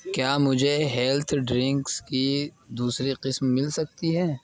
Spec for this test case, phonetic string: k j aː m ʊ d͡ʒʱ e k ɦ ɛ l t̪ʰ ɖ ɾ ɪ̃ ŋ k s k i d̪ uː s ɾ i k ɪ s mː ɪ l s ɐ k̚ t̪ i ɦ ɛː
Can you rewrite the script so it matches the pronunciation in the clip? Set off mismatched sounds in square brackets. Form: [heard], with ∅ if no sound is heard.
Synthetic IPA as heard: k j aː m ʊ d͡ʒʱ e [∅] ɦ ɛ l t̪ʰ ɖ ɾ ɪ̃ ŋ k s k i d̪ uː s ɾ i [q] ɪ s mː ɪ l s ɐ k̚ t̪ i ɦ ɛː